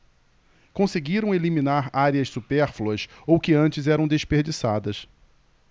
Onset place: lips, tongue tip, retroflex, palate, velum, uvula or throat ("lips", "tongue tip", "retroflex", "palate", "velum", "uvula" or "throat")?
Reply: velum